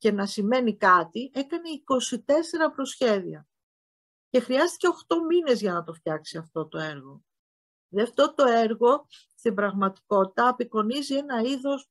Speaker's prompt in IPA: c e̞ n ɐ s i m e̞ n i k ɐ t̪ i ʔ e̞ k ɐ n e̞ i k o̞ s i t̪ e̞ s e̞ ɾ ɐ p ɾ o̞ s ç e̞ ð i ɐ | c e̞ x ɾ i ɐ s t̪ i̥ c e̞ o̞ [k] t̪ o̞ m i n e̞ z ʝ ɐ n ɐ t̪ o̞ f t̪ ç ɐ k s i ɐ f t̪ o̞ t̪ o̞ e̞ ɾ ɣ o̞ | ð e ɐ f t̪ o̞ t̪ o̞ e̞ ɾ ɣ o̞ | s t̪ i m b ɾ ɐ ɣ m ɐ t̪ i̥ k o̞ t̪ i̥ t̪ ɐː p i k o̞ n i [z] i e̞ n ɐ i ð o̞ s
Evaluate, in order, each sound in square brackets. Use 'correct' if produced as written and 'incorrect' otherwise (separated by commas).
incorrect, correct